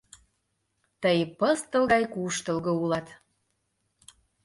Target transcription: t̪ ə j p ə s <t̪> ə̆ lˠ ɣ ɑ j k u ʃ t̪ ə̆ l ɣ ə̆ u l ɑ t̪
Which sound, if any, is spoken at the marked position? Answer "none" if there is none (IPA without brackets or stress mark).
t̪